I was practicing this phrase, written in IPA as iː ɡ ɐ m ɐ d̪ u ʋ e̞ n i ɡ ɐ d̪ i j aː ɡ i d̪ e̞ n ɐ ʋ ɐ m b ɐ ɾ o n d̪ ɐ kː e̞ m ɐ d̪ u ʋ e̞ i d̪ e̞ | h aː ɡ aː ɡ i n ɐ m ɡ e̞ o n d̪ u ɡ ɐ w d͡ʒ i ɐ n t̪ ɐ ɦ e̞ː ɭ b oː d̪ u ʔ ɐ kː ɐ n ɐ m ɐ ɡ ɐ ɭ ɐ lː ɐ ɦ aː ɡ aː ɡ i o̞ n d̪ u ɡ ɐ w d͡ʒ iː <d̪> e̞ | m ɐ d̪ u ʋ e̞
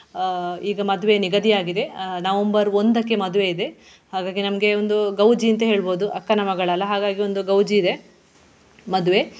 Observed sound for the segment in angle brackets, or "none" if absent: d̪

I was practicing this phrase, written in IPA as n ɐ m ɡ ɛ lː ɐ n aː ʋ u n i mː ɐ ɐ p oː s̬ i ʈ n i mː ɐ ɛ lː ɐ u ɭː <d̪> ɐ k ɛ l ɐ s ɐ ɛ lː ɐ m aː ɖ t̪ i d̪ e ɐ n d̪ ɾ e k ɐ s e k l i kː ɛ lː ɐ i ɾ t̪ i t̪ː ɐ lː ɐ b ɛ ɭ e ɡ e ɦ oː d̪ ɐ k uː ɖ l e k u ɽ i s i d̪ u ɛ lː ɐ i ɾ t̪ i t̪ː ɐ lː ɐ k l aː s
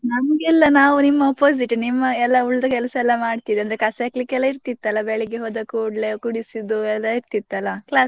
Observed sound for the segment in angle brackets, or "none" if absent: d̪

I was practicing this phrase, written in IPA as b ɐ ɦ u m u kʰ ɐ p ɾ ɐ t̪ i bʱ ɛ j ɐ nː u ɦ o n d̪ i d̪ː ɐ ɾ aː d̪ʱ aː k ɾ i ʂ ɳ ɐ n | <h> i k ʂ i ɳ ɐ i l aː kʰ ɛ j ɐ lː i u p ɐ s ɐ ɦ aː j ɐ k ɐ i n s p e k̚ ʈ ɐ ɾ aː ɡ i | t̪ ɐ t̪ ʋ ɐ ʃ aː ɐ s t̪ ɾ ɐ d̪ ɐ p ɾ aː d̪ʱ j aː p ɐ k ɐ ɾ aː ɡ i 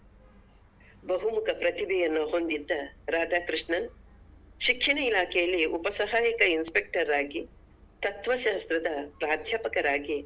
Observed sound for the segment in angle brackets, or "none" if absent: ʃ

